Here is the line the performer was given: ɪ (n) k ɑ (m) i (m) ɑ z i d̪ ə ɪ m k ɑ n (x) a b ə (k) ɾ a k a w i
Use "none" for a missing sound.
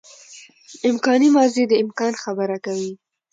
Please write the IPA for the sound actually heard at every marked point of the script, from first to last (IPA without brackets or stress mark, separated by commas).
m, n, m, x, none